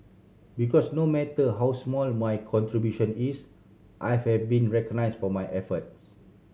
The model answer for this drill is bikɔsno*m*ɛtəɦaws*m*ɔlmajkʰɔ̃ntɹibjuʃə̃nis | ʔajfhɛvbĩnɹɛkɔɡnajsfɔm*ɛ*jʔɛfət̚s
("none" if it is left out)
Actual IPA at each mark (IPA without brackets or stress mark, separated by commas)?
m, m, a